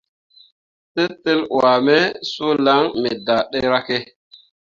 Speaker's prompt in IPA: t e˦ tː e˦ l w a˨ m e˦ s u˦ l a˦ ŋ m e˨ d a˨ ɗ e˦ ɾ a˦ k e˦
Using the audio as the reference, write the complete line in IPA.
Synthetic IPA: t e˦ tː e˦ l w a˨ m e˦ s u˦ l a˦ ŋ m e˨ d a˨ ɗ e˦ ɾ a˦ k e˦